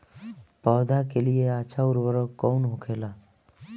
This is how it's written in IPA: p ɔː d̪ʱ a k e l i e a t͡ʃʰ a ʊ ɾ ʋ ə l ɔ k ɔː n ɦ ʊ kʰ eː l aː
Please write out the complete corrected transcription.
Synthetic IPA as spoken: p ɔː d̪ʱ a k e l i e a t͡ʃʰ a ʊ ɾ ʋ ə ɾ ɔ k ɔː n ɦ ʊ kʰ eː l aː